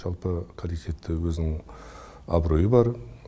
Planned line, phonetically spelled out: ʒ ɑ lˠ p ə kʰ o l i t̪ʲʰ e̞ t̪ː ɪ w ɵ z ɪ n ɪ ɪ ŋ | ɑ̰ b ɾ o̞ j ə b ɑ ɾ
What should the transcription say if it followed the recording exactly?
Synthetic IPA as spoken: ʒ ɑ lˠ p ə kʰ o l i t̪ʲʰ e̞ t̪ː ɪ w ɵ z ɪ n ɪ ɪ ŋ | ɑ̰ b ɾ o̞ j ə b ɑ ɾ